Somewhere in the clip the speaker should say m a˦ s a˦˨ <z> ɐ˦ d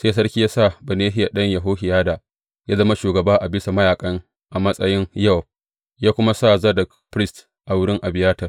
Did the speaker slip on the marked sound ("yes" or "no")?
no